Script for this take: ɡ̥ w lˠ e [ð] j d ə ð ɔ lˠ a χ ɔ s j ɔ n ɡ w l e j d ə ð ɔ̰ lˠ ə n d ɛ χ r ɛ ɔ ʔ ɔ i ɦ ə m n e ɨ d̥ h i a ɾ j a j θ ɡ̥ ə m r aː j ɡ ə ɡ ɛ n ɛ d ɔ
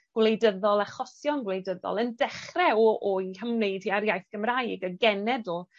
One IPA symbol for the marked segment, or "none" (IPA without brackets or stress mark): none